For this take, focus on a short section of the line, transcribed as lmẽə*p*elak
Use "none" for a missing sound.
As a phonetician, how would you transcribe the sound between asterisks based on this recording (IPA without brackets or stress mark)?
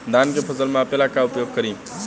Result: p